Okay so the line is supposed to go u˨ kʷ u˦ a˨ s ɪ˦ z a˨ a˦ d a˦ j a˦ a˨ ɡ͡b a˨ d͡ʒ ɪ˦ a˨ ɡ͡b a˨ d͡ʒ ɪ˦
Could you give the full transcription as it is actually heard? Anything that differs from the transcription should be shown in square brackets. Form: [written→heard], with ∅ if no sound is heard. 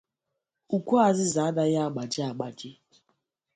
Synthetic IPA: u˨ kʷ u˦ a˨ [s→z] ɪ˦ z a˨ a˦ d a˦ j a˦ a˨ ɡ͡b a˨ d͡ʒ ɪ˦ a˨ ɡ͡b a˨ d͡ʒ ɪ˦